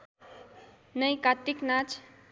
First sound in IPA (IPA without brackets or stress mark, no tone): n